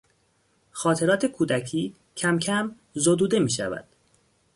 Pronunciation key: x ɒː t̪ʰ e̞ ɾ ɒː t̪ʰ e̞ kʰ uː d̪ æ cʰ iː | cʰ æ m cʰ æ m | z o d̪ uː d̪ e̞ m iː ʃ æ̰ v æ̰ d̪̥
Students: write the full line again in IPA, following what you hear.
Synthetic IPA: x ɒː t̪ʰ e̞ ɾ ɒː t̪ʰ e̞ kʰ uː d̪ æ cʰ iː | cʰ æ m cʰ æ m | z o d̪ uː d̪ e̞ m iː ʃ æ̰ v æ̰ d̪̥